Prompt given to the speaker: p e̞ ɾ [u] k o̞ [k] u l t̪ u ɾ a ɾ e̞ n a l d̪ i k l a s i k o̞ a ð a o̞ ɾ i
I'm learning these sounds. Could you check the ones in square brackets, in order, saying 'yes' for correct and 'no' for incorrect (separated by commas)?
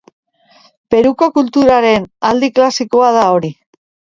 yes, yes